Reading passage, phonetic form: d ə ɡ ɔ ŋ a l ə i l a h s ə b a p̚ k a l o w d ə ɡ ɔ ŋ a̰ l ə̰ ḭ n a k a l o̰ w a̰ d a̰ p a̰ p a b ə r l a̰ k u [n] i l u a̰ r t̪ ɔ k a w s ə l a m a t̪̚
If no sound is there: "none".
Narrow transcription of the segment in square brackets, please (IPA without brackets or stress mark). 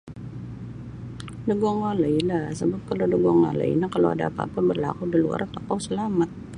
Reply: d